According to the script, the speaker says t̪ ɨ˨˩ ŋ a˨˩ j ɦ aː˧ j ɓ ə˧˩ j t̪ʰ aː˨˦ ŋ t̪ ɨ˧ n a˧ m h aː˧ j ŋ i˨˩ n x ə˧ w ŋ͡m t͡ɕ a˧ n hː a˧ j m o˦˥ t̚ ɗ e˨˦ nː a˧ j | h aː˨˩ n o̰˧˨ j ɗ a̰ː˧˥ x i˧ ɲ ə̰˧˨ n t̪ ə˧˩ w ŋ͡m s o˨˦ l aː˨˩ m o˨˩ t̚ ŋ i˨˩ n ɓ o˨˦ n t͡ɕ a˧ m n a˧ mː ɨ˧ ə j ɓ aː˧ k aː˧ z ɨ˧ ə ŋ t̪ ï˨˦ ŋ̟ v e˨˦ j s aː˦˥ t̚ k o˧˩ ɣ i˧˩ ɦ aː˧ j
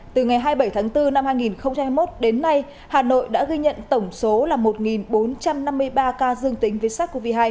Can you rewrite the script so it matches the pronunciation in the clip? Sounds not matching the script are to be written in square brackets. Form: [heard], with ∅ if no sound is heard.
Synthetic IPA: t̪ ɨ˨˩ ŋ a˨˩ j ɦ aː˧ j ɓ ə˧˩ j t̪ʰ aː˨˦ ŋ t̪ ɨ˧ n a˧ m h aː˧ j ŋ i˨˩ n x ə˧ w ŋ͡m t͡ɕ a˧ [m] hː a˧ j m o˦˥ t̚ ɗ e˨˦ nː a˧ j | h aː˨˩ n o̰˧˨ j ɗ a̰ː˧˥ [ɣ] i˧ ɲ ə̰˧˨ n t̪ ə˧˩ w ŋ͡m s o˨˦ l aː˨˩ m o˨˩ t̚ ŋ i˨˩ n ɓ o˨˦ n t͡ɕ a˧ m n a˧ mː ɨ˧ ə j ɓ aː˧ k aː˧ z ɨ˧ ə ŋ t̪ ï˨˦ ŋ̟ v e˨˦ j s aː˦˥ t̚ k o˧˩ [v] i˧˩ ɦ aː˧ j